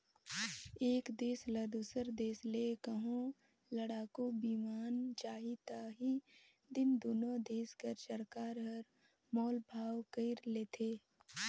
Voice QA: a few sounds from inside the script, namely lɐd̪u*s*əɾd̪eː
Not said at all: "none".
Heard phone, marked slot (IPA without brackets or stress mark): s